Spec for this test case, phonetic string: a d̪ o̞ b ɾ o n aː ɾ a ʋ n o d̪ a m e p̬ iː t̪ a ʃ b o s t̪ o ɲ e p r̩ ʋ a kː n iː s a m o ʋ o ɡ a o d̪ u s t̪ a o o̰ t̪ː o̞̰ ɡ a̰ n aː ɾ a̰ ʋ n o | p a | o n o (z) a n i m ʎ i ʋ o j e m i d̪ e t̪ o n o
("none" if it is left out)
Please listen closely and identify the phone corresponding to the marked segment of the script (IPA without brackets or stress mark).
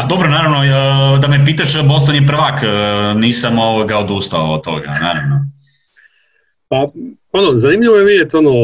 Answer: z